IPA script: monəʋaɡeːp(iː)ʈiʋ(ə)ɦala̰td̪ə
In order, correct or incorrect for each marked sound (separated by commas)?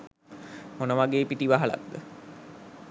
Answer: incorrect, incorrect